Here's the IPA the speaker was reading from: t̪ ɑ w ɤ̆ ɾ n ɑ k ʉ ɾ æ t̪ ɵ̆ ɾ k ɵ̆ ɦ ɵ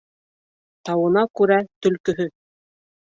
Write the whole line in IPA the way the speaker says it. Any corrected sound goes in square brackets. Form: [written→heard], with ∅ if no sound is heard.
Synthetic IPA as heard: t̪ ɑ w ɤ̆ [ɾ→∅] n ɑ k ʉ ɾ æ t̪ ɵ̆ [ɾ→l] k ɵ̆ ɦ ɵ